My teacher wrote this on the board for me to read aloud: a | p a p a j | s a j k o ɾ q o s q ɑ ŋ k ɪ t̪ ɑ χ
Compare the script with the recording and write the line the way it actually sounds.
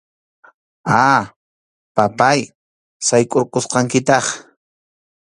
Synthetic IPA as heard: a | p a p a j | s a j kʼ o ɾ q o s q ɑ ŋ k ɪ t̪ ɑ χ